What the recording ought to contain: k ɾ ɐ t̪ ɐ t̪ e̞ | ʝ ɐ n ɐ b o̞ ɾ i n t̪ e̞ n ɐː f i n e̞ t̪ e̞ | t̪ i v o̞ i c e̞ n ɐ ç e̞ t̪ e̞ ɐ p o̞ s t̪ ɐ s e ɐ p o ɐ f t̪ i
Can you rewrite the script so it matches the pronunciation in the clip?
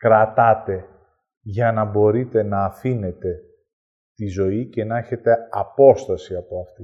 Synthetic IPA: k ɾ ɐ t̪ ɐ t̪ e̞ | ʝ ɐ n ɐ b o̞ ɾ i t̪ e̞ n ɐː f i n e̞ t̪ e̞ | t̪ i z o̞ i c e̞ n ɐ ç e̞ t̪ e̞ ɐ p o̞ s t̪ ɐ s i ɐ p o ɐ f t̪ i